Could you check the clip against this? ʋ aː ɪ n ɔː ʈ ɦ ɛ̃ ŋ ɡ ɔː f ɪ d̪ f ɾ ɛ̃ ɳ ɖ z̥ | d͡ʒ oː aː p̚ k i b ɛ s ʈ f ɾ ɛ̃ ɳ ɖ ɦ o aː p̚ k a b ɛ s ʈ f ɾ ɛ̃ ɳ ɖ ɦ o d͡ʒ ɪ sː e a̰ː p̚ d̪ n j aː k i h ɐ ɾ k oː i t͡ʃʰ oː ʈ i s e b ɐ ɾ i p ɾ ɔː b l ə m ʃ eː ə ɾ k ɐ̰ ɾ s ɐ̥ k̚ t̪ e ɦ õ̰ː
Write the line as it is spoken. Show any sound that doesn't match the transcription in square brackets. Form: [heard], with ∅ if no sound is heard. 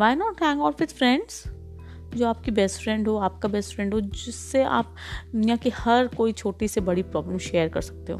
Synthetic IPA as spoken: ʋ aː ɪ n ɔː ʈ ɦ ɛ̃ ŋ ɡ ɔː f ɪ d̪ f ɾ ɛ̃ ɳ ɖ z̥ | d͡ʒ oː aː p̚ k i b ɛ s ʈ f ɾ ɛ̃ ɳ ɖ ɦ o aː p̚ k a b ɛ s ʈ f ɾ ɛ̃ ɳ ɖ ɦ o d͡ʒ ɪ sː e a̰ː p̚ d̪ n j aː k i h ɐ ɾ k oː i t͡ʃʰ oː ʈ i s e b ɐ [ɽ] i p ɾ ɔː b l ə m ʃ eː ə ɾ k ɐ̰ ɾ s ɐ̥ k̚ t̪ e ɦ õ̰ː